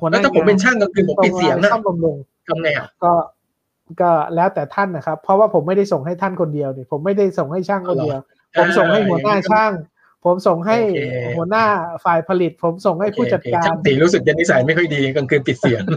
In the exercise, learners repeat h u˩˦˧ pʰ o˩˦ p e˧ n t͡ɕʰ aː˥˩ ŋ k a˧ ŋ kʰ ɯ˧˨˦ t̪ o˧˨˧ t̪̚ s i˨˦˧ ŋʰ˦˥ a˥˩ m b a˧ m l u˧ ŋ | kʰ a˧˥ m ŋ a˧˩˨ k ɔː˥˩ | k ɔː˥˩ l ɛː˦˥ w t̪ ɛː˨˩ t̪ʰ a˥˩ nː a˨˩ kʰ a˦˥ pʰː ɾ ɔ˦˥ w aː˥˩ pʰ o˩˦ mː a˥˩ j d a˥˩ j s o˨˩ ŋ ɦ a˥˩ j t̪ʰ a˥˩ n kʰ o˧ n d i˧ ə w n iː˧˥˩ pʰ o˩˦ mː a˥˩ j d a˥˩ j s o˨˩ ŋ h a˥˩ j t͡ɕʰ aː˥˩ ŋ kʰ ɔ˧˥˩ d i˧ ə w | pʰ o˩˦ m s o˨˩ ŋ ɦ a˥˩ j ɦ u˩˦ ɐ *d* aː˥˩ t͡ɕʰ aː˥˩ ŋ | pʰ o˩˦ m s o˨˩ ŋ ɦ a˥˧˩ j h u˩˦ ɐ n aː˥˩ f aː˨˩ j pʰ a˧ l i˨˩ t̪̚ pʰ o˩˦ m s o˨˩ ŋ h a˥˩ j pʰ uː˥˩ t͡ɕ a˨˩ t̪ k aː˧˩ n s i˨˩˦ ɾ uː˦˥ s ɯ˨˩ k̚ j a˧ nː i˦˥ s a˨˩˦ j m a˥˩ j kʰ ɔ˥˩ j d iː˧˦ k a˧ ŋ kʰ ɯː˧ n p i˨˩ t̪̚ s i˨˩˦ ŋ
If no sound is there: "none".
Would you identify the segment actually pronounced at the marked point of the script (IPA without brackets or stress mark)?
n